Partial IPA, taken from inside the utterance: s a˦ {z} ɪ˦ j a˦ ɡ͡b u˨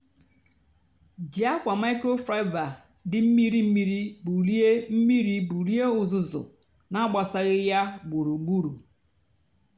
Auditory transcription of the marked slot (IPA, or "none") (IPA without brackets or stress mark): ɣ